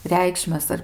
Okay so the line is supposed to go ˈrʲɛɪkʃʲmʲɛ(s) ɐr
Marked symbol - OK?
yes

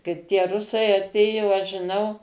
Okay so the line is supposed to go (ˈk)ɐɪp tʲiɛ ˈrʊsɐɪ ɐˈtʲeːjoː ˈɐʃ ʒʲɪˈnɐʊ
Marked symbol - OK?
yes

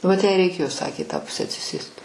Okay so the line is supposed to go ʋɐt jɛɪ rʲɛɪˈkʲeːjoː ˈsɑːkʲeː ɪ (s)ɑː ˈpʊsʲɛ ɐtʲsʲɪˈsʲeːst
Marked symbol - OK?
no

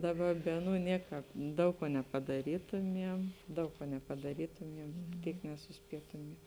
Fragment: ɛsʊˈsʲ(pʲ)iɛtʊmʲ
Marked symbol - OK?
yes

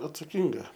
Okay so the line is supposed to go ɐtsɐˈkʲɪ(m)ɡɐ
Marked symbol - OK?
no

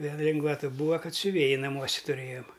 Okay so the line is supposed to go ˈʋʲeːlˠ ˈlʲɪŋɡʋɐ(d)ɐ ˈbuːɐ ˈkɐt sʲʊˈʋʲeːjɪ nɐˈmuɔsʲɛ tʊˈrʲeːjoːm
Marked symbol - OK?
no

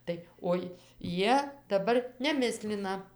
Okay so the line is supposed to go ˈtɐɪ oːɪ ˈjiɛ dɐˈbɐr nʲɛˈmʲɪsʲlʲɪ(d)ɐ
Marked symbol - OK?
no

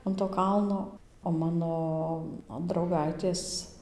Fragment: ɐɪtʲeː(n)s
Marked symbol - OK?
no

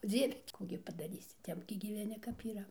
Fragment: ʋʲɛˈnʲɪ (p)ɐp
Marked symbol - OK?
no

